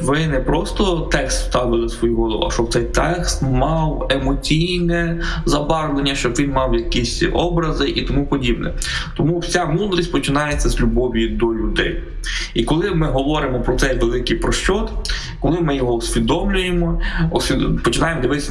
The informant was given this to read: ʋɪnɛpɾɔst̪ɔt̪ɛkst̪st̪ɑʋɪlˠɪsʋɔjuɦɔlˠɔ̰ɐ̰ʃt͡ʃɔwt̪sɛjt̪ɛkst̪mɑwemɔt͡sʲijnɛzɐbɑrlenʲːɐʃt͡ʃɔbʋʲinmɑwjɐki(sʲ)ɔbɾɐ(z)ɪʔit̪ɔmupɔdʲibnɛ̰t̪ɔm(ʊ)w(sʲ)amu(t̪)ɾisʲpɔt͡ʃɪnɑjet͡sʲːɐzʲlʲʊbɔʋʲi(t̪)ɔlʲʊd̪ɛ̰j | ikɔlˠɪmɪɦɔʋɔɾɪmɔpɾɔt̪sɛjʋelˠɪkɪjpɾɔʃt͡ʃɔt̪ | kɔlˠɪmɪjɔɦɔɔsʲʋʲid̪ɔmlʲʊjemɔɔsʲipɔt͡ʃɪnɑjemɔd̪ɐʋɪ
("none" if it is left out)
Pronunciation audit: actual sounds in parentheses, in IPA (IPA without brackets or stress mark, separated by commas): sʲ, z, u, sʲ, d̪, d̪